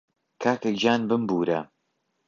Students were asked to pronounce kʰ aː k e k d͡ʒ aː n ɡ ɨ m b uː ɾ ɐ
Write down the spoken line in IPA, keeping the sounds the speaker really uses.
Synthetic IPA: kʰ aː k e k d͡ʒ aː n b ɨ m b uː ɾ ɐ